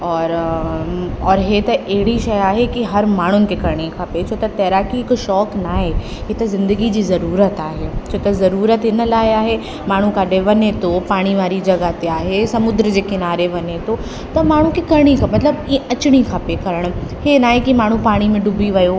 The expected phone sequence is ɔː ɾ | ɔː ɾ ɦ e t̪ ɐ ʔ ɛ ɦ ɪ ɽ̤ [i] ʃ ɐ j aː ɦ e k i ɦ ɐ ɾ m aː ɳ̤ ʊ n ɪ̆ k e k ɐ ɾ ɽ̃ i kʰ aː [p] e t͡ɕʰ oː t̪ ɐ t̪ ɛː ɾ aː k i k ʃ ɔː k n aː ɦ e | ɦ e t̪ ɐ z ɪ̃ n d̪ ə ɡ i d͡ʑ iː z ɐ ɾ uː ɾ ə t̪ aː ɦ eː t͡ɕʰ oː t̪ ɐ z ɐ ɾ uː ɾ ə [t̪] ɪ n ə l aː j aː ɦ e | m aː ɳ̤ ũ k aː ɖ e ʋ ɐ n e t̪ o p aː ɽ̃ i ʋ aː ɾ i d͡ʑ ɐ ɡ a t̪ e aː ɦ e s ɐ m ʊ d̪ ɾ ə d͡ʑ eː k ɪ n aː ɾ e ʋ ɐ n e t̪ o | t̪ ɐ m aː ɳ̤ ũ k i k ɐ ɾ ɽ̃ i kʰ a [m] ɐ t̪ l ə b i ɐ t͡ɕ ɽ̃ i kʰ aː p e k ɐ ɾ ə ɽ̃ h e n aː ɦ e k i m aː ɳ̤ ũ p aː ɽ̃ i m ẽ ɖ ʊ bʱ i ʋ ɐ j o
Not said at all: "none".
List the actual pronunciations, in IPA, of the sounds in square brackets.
i, p, t̪, m

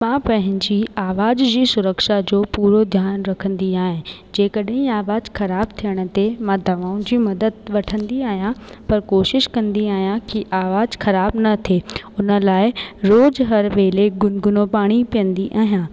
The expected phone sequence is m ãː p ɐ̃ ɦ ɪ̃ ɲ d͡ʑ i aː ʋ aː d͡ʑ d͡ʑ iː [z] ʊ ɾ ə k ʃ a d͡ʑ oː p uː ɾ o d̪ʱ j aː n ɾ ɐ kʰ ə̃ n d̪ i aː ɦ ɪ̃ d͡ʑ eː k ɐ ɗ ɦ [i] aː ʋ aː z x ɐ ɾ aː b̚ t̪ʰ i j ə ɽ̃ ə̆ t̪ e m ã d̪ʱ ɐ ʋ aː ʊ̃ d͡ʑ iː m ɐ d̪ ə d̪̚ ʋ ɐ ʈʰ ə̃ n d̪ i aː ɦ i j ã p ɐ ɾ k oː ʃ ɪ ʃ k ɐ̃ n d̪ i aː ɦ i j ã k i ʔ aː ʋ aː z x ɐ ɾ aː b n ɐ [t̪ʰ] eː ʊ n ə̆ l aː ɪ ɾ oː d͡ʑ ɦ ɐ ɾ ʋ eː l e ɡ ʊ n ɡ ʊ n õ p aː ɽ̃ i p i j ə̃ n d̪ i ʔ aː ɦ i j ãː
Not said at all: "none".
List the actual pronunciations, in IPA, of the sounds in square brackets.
s, ĩ, t̪ʰ

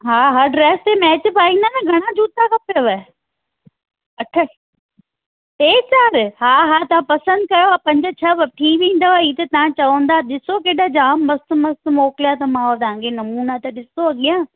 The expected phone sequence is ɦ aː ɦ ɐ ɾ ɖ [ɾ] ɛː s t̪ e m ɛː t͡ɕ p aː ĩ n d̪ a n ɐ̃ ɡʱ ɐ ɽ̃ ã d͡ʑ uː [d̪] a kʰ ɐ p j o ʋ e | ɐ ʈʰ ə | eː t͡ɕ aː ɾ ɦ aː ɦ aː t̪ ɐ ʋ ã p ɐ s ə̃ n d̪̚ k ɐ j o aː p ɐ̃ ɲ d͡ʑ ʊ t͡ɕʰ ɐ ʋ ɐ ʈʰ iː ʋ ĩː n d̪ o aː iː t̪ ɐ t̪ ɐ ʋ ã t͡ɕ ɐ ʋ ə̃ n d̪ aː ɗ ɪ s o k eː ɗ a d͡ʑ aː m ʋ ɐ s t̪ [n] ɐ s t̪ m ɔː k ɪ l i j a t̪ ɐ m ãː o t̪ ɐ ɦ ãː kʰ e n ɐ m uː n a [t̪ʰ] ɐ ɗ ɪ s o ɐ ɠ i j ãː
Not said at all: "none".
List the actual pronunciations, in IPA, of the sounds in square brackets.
ɾ, t̪, m, t̪

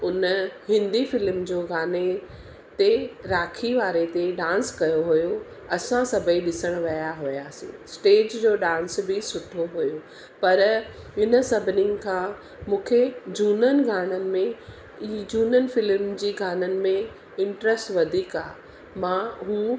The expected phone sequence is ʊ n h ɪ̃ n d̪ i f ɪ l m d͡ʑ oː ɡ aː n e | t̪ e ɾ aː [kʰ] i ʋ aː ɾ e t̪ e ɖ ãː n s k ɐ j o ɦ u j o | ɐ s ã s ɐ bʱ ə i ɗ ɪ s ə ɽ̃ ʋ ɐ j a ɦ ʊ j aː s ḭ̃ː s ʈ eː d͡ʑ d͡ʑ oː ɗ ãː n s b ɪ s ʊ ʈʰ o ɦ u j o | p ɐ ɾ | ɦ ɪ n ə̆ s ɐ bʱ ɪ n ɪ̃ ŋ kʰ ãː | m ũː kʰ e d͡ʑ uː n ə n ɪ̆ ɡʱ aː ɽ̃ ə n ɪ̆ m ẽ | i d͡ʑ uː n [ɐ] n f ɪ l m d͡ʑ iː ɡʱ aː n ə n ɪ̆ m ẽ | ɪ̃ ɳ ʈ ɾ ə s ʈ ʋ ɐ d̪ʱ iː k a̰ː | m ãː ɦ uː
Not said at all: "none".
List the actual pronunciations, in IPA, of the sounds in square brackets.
kʰ, ə

